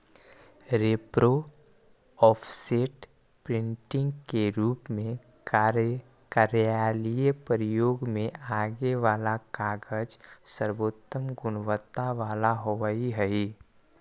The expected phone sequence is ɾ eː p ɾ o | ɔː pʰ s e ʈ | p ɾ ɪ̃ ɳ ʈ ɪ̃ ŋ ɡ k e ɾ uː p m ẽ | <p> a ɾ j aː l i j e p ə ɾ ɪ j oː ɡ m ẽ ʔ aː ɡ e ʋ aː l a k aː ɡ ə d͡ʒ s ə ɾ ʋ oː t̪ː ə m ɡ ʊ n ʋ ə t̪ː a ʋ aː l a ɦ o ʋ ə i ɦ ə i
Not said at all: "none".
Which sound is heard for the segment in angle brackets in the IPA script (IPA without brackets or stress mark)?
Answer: k